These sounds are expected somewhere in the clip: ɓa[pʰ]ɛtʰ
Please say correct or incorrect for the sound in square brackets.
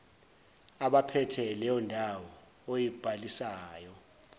correct